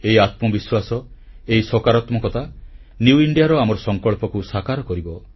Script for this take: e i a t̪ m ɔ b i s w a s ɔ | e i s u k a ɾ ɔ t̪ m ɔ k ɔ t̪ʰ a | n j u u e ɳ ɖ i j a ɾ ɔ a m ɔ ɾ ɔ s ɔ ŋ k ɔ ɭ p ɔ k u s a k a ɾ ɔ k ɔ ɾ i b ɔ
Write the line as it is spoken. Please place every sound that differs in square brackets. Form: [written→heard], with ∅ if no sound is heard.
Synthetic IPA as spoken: e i a t̪ m ɔ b i s w a s ɔ | e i s [u→ɔ] k a ɾ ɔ t̪ m ɔ k ɔ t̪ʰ a | n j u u [e→i] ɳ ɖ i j a ɾ ɔ a m ɔ ɾ ɔ s ɔ ŋ k ɔ ɭ p ɔ k u s a k a ɾ ɔ k ɔ ɾ i b ɔ